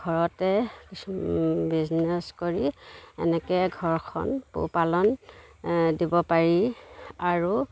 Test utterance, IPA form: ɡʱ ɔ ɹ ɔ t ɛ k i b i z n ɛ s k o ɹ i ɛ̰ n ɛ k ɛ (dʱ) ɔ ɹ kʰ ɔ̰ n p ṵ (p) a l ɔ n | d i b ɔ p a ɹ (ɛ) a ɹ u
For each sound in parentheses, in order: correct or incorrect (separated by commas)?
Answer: incorrect, correct, incorrect